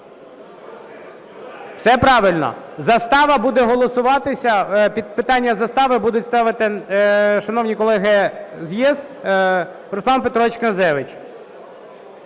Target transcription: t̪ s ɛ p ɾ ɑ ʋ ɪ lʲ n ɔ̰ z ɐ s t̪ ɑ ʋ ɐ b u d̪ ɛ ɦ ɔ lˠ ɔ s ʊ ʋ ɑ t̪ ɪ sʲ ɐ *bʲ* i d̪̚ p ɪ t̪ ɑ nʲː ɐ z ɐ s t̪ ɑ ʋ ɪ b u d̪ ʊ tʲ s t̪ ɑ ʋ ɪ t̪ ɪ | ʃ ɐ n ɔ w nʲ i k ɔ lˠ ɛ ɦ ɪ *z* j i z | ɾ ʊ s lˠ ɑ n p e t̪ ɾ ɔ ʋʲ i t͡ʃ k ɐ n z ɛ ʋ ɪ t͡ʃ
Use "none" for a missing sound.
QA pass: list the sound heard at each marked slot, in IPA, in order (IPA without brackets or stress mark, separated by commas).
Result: pʲ, z